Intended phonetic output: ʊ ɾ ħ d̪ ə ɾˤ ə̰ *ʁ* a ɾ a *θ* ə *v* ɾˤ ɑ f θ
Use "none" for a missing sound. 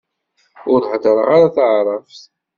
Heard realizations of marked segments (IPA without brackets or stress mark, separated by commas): ʁ, θ, ʕ